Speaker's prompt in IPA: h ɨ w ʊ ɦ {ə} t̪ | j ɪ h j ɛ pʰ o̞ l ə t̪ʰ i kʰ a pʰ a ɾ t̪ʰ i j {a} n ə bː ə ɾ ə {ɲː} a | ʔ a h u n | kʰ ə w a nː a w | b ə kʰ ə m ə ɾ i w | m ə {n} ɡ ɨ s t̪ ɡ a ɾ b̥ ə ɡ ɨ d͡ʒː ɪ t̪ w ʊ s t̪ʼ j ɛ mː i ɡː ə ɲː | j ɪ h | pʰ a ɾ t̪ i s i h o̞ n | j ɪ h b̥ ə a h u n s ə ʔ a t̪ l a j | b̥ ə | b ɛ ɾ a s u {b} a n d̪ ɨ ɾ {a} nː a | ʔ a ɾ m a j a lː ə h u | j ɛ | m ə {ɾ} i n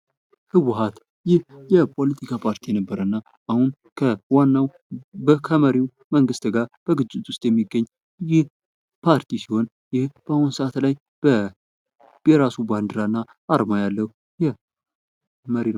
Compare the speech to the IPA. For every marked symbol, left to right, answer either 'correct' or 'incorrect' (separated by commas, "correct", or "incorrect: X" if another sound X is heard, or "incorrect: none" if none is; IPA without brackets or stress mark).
incorrect: a, incorrect: ɛ, incorrect: nː, incorrect: ŋ, correct, correct, correct